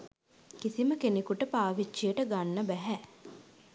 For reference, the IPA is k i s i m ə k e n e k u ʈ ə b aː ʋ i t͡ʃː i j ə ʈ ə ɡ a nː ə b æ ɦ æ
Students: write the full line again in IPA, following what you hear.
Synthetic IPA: k i s i m ə k e n e k u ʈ ə p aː ʋ i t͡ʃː i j ə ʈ ə ɡ a nː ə b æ ɦ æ